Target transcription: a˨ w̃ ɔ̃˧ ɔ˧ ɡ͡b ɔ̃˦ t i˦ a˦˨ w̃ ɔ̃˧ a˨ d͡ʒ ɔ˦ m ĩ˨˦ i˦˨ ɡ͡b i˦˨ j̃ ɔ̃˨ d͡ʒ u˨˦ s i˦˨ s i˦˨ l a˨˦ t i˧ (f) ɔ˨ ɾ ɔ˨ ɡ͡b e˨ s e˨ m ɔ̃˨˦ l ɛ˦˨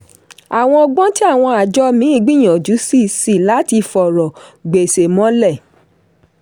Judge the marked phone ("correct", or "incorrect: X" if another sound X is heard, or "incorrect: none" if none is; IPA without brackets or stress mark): correct